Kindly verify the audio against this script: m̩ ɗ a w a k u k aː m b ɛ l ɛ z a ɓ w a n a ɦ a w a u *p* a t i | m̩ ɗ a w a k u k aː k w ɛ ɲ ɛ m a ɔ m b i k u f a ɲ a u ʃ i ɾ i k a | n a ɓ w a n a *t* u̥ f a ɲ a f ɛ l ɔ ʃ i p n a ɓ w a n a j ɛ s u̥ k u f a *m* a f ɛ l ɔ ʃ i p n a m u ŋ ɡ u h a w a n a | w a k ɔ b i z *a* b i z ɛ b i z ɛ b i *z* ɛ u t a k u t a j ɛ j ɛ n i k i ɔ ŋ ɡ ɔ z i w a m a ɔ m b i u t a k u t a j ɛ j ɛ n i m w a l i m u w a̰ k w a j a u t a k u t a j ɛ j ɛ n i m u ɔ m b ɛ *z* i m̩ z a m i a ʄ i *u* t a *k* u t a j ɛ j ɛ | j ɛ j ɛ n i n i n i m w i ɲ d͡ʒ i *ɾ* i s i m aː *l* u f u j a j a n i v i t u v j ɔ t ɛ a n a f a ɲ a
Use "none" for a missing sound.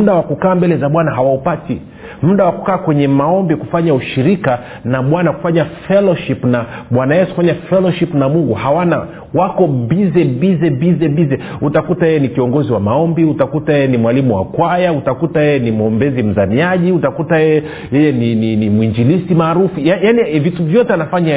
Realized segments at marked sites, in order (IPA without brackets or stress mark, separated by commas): p, k, ɲ, ɛ, z, z, u, k, l, ɾ